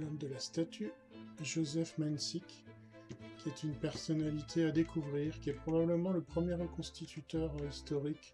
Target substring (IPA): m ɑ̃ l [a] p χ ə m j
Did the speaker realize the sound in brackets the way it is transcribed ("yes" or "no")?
no